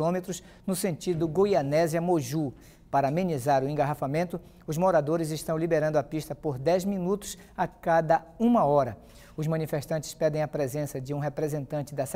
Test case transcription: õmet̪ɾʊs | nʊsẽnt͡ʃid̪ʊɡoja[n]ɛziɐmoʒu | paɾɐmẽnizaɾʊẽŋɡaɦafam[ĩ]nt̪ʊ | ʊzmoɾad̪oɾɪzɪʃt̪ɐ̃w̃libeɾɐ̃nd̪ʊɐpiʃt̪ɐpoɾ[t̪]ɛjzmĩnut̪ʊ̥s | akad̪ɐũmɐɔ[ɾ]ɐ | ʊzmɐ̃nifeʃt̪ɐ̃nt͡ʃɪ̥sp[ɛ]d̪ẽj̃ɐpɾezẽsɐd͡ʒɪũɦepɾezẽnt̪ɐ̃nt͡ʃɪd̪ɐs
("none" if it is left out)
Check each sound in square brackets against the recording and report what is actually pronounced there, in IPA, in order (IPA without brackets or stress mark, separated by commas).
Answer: n, ẽ, d̪, ɾ, ɛ